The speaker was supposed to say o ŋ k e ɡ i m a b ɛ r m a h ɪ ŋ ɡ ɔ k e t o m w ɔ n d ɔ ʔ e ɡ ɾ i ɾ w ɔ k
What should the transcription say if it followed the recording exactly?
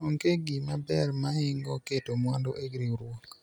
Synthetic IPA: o ŋ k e ɡ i m a b ɛ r m a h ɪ ŋ ɡ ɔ k e t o m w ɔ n d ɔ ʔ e ɡ ɾ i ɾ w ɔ k